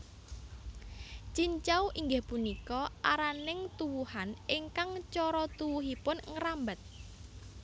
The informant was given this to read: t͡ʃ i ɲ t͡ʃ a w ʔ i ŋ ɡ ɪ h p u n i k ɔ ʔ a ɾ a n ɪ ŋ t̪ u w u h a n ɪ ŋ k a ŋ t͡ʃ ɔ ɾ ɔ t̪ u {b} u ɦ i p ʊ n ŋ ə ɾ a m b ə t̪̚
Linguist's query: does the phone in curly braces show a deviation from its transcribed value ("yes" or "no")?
yes